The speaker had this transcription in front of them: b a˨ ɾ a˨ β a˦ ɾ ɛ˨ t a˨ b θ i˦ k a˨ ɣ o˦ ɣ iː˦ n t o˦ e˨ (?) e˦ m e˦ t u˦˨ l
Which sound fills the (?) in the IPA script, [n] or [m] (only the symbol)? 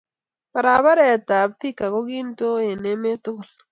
n